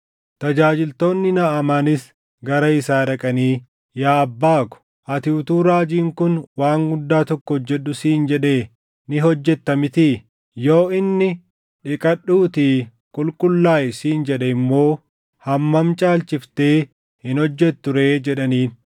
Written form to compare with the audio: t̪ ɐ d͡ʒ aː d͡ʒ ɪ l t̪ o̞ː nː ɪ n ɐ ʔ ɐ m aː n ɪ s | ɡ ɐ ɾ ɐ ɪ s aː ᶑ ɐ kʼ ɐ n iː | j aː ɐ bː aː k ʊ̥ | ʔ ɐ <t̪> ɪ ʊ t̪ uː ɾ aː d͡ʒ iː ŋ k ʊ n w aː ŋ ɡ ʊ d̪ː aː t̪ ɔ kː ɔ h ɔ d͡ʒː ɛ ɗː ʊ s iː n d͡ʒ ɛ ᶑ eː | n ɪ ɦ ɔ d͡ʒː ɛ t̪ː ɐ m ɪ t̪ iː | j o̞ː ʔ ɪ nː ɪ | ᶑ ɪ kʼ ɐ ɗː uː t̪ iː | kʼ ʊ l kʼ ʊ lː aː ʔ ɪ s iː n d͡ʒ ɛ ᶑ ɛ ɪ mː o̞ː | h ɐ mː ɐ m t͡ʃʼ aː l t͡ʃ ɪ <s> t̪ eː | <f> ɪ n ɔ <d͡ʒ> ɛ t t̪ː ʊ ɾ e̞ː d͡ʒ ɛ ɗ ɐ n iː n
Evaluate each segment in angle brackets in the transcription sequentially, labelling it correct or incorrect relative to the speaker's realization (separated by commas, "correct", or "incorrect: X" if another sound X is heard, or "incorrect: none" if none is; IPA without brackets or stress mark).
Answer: correct, incorrect: f, incorrect: h, incorrect: d͡ʒː